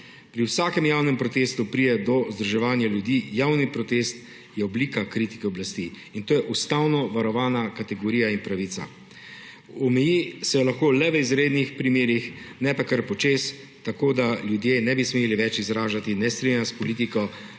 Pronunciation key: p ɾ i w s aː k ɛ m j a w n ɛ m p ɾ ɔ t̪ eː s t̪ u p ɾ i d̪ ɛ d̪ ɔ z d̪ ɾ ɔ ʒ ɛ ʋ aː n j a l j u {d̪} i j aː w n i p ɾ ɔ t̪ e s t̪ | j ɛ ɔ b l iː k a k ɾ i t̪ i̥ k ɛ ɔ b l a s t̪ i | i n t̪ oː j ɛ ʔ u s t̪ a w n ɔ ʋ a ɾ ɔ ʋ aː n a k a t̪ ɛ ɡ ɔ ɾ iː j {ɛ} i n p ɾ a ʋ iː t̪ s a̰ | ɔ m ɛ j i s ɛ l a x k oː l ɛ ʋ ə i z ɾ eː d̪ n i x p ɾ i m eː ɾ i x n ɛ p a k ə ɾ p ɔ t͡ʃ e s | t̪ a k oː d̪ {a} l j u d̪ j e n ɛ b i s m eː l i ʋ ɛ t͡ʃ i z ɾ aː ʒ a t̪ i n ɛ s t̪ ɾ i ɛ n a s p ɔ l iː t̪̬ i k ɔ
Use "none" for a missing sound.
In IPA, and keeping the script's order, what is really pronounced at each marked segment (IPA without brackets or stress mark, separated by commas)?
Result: d̪, a, a